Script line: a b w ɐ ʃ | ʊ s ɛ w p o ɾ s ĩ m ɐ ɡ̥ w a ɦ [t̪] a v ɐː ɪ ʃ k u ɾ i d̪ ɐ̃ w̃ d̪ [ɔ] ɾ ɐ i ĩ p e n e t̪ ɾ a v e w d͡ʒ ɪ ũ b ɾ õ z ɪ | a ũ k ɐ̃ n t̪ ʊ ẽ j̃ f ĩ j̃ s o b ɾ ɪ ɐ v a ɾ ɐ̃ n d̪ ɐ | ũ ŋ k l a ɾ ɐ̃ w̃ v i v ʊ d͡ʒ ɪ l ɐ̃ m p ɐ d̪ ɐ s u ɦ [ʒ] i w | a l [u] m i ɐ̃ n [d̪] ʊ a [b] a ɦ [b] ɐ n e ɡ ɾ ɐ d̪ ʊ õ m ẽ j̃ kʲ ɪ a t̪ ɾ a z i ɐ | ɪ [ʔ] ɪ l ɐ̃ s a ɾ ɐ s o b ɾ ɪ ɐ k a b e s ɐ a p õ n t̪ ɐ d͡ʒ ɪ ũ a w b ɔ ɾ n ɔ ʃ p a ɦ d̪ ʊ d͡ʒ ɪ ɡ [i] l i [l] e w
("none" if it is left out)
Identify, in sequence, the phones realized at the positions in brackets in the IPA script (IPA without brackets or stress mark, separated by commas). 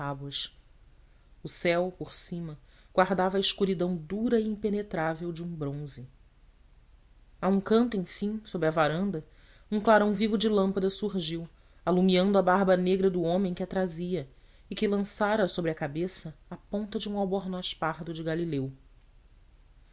d̪, u, ʒ, u, d̪, b, b, k, a, l